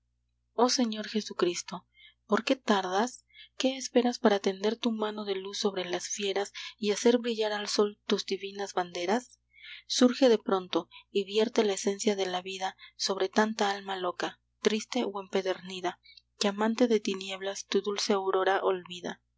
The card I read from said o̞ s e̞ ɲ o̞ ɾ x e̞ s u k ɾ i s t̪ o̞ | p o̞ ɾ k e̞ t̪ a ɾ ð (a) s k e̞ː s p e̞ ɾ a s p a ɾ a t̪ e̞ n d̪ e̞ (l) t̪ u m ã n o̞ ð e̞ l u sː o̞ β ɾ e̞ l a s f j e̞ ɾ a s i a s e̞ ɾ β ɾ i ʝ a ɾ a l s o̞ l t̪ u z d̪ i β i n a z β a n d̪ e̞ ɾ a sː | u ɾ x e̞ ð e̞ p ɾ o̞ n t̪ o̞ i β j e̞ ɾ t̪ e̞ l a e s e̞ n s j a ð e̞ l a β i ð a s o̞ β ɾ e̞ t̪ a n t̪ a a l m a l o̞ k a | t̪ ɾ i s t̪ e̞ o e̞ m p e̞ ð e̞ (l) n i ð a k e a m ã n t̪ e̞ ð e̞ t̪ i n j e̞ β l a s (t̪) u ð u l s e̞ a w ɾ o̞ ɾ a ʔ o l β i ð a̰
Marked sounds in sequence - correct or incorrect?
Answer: correct, incorrect, incorrect, correct

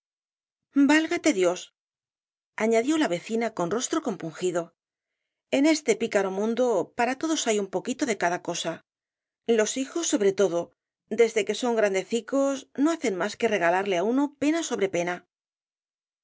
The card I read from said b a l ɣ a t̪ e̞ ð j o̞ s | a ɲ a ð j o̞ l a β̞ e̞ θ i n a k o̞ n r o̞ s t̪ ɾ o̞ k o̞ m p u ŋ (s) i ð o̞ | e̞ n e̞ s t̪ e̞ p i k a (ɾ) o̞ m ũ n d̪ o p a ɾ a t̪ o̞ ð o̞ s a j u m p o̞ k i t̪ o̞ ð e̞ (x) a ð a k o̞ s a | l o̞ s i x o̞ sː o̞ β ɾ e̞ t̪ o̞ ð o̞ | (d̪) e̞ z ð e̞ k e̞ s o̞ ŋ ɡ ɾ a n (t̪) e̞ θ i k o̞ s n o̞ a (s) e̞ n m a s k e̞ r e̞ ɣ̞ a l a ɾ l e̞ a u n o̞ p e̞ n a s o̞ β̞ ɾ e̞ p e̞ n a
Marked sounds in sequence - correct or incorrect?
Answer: incorrect, correct, incorrect, correct, incorrect, incorrect

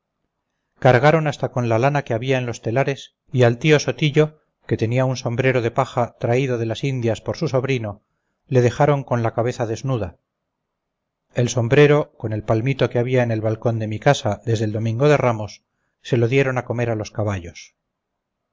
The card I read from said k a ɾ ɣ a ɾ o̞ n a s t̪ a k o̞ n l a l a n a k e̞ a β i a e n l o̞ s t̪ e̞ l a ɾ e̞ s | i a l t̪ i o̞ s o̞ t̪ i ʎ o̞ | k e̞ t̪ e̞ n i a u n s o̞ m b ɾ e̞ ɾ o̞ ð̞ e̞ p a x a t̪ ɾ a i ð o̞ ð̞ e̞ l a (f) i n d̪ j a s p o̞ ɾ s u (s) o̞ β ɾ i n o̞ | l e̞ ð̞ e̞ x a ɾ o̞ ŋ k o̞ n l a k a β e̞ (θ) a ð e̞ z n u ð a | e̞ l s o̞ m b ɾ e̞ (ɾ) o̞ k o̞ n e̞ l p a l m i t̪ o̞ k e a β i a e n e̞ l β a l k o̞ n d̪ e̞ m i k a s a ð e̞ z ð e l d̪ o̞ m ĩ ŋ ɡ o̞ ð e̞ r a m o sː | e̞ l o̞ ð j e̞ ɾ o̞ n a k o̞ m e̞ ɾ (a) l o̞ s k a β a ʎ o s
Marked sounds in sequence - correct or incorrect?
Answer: incorrect, correct, correct, correct, correct

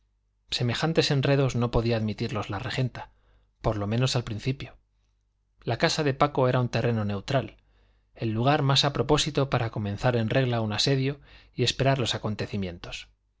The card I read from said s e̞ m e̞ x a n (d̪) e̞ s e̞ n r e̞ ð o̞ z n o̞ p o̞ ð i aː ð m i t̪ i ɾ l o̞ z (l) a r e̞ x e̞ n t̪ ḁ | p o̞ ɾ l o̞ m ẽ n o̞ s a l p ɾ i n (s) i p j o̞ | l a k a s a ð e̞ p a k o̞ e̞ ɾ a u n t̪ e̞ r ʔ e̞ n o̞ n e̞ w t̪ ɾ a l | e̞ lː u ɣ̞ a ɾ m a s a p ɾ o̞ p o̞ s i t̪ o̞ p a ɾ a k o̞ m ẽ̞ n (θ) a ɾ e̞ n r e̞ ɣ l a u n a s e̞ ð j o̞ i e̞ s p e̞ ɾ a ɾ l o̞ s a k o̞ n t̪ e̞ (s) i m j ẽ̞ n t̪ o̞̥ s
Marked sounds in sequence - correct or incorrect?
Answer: incorrect, correct, incorrect, correct, incorrect

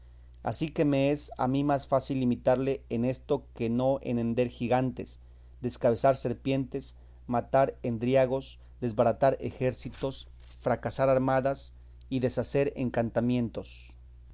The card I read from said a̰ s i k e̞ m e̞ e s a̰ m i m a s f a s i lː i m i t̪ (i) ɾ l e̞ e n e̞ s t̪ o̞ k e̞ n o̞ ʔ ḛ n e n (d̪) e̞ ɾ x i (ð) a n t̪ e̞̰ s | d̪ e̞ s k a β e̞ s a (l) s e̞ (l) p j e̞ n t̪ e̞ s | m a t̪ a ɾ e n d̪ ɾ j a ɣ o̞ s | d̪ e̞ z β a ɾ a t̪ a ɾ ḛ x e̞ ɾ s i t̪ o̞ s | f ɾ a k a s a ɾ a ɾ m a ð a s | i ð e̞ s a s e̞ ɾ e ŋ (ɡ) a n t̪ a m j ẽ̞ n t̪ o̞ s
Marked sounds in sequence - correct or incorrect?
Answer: incorrect, correct, incorrect, incorrect, incorrect, incorrect

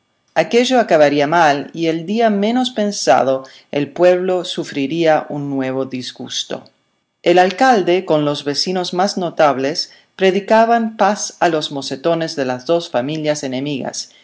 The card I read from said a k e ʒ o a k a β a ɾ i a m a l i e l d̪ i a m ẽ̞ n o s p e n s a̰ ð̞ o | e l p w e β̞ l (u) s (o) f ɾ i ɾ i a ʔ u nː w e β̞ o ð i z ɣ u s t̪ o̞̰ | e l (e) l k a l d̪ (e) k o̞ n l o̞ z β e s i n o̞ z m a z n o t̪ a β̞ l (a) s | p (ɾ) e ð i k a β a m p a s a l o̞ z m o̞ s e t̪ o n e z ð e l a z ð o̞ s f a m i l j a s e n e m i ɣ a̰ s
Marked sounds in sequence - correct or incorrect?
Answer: incorrect, incorrect, incorrect, correct, incorrect, correct

